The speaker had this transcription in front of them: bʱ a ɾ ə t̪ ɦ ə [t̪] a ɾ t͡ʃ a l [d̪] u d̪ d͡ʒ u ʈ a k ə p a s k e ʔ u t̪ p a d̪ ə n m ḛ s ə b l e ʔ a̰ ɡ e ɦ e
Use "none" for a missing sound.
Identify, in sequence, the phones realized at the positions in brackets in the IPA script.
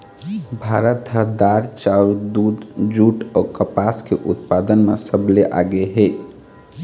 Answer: d̪, d̪

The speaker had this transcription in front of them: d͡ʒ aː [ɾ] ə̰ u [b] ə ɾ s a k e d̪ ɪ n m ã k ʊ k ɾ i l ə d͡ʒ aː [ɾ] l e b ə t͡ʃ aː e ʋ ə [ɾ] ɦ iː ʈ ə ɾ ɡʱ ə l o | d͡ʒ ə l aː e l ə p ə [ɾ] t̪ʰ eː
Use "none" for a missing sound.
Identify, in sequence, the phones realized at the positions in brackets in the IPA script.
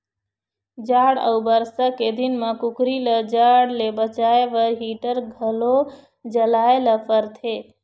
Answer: ɽ, b, ɽ, ɾ, ɾ

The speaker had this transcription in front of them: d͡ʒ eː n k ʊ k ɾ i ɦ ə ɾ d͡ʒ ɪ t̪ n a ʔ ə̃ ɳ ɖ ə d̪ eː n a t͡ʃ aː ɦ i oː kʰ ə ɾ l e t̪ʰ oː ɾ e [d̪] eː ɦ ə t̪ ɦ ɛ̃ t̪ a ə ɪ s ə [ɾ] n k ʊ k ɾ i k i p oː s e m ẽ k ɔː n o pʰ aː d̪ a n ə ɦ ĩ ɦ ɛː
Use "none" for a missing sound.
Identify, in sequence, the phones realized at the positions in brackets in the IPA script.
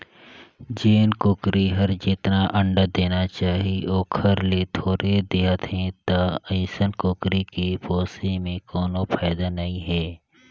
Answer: d̪, none

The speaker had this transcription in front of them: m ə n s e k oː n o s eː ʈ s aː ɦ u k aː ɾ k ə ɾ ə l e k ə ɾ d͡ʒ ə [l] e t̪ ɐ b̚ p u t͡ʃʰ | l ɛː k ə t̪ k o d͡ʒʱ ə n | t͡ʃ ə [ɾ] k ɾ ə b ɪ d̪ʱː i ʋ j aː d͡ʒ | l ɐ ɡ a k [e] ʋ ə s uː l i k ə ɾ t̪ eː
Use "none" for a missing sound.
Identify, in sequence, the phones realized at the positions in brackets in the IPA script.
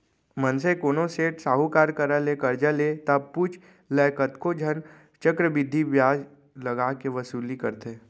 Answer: l, none, e

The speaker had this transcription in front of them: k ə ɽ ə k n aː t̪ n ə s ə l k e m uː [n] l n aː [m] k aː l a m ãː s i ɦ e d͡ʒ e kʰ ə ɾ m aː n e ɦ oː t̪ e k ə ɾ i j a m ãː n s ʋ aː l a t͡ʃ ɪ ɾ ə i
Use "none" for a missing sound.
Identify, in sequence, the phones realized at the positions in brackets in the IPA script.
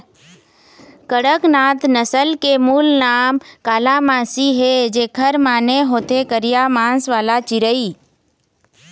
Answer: none, m

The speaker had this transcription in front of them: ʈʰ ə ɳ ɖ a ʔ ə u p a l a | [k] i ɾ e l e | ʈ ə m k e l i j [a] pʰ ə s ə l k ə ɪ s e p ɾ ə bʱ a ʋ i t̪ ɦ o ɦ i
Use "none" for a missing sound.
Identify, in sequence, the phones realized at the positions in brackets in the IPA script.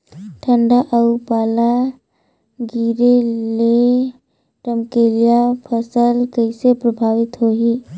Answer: ɡ, a

